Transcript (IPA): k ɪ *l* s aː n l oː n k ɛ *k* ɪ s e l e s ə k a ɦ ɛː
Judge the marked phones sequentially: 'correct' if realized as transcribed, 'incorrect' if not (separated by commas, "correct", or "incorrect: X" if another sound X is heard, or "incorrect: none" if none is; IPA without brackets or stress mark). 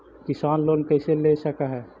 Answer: incorrect: none, incorrect: none